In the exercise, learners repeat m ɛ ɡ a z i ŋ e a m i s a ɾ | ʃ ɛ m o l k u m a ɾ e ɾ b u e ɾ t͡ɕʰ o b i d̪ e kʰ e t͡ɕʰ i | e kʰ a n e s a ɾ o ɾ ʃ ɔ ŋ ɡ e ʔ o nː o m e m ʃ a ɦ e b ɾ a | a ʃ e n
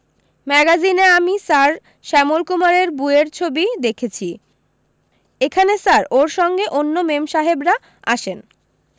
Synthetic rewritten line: m ɛ ɡ a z i n e a m i s a ɾ | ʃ ɛ m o l k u m a ɾ e ɾ b u e ɾ t͡ɕʰ o b i d̪ e kʰ e t͡ɕʰ i | e kʰ a n e s a ɾ o ɾ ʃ ɔ ŋ ɡ e ʔ o nː o m e m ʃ a ɦ e b ɾ a | a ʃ e n